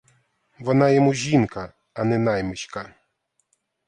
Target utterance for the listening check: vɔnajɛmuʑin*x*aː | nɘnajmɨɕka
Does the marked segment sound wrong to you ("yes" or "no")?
yes